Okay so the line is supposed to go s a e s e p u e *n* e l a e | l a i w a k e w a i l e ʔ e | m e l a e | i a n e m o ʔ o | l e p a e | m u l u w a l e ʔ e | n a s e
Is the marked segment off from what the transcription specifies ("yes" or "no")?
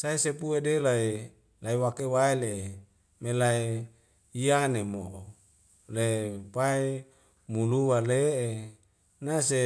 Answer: yes